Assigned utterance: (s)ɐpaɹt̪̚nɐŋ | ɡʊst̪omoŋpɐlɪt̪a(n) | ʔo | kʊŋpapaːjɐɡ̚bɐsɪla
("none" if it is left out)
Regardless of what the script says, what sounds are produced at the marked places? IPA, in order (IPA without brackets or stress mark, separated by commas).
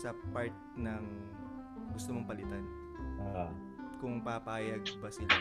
s, n